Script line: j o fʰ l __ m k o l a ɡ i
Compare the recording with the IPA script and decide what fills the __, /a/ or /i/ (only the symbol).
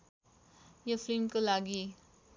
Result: i